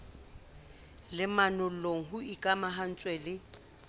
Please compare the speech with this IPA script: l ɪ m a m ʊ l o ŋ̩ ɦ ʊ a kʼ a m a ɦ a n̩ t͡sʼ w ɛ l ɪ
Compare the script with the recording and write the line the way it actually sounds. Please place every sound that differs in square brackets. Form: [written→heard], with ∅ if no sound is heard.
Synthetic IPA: l ɪ m a [m→n] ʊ l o ŋ̩ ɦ ʊ [a→i] kʼ a m a ɦ a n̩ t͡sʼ w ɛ l ɪ